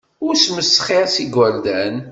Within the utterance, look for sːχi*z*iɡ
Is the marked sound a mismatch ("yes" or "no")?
yes